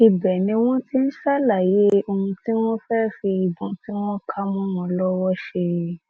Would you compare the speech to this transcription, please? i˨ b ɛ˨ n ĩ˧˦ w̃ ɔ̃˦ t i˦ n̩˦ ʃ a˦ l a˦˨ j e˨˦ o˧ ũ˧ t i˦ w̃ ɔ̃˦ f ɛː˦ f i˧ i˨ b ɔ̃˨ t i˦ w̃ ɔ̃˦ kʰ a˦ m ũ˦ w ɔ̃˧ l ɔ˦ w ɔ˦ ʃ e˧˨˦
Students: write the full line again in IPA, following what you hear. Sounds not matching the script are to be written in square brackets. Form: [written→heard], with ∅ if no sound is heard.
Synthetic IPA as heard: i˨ b ɛ˨ n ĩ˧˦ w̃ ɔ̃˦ t i˦ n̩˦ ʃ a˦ l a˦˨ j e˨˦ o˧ ũ˧ t i˦ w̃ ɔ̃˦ f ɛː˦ f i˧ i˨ b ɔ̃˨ t i˦ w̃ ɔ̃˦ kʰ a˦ m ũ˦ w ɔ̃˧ l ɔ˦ w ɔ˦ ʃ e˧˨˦